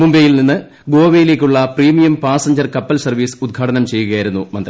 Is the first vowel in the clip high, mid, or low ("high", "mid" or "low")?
high